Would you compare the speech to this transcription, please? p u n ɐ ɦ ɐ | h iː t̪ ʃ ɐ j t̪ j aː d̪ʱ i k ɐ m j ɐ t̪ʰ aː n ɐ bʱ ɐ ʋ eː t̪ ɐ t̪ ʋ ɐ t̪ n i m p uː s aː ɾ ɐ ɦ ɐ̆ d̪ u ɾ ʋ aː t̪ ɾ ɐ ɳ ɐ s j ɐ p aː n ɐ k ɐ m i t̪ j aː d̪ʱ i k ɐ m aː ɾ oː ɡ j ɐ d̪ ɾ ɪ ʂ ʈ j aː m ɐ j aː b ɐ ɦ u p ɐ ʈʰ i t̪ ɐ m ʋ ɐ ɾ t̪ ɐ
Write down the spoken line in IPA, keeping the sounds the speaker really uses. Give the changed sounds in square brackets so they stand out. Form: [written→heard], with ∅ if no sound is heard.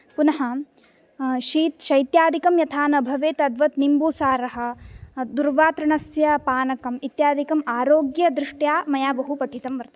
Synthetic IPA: p u n ɐ ɦ ɐ | [h→ʃ] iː t̪ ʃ ɐ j t̪ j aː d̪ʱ i k ɐ m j ɐ t̪ʰ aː n ɐ bʱ ɐ ʋ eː t̪ ɐ [t̪→d̪] ʋ ɐ t̪ n i m [p→b] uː s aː ɾ ɐ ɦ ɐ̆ d̪ u ɾ ʋ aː t̪ ɾ ɐ ɳ ɐ s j ɐ p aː n ɐ k ɐ m i t̪ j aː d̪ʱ i k ɐ m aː ɾ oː ɡ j ɐ d̪ ɾ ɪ ʂ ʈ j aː m ɐ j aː b ɐ ɦ u p ɐ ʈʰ i t̪ ɐ m ʋ ɐ ɾ t̪ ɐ